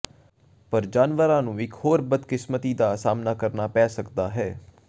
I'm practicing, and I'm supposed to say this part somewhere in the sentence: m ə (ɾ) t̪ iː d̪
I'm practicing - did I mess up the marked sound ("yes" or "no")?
yes